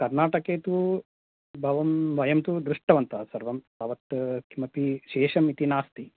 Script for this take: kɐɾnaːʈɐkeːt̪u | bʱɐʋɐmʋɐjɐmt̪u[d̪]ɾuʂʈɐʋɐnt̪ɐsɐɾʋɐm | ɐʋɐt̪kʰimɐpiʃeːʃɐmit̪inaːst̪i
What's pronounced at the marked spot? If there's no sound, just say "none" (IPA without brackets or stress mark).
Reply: d̪